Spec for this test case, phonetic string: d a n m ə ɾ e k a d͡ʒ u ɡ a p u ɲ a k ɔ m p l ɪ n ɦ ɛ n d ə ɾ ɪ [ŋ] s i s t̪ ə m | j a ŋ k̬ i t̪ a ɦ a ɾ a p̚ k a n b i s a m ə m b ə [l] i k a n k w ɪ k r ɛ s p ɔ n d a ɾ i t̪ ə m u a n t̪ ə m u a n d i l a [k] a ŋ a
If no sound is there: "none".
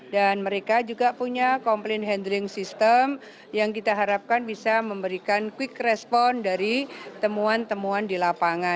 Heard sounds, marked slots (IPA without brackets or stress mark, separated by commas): ŋ, ɾ, p